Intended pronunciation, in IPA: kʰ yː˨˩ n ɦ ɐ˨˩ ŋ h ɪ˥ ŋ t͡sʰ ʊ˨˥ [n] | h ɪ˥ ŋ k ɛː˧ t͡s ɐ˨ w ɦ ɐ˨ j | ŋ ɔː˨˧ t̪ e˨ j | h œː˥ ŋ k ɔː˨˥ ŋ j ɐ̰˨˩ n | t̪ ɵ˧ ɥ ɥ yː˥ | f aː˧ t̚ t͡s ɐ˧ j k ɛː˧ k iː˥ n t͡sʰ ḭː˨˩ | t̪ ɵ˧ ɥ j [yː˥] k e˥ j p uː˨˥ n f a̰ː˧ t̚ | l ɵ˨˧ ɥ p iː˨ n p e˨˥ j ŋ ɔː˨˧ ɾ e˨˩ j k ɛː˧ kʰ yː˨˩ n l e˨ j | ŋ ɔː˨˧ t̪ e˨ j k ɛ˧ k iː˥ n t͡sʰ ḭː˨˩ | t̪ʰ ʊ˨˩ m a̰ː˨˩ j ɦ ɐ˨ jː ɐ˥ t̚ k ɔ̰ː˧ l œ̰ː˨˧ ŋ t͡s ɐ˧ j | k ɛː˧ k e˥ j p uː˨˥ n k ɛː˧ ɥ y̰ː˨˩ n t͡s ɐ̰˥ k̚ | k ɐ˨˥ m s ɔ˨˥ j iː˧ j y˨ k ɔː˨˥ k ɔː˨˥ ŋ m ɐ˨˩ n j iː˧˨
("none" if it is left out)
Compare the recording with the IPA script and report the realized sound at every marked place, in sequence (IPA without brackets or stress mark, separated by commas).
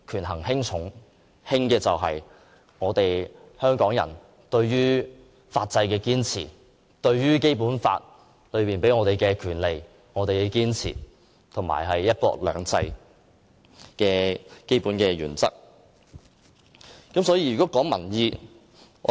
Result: ŋ, yː˥